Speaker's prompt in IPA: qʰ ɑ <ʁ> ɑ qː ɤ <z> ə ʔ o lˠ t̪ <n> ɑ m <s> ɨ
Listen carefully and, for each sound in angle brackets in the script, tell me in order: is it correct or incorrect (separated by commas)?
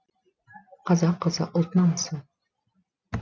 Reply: incorrect, correct, correct, correct